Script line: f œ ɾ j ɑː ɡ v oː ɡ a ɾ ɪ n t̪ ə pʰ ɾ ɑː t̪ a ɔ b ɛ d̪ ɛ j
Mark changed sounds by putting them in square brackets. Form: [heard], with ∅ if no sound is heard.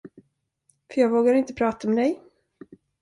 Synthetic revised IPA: f œ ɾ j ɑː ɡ v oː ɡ a ɾ ɪ n t̪ ə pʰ ɾ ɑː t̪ a ɔ [m] ɛ d̪ ɛ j